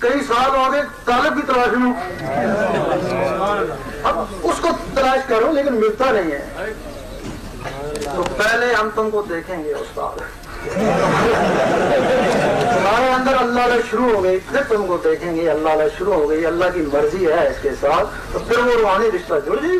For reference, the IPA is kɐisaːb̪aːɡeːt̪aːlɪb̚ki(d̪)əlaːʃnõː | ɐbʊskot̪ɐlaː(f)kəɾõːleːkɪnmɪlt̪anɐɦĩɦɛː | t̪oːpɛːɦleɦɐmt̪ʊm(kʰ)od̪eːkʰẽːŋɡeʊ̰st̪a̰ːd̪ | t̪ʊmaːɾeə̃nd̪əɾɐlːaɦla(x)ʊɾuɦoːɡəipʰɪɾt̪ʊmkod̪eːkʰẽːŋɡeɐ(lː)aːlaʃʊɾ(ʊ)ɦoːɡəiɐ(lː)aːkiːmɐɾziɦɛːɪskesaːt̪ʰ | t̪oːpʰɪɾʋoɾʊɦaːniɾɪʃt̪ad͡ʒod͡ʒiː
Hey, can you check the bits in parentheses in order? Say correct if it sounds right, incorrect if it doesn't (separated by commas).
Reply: incorrect, incorrect, incorrect, incorrect, correct, incorrect, correct